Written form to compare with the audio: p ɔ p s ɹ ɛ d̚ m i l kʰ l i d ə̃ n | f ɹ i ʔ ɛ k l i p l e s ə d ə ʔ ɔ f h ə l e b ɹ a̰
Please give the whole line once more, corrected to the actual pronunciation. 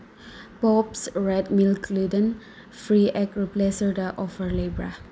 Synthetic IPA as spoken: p ɔ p s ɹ ɛ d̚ m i l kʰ l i d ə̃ n | f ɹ i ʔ ɛ k ɹ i p l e s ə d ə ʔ ɔ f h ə l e b ɹ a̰